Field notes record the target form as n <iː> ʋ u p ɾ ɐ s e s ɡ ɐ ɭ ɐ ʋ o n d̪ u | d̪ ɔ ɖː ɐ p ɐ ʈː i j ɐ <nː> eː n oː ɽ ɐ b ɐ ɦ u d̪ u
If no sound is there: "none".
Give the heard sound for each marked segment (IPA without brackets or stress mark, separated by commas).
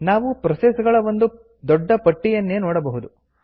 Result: aː, nː